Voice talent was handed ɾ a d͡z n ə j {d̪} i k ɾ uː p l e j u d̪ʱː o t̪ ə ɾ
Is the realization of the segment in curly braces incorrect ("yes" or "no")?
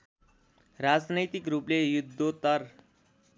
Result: yes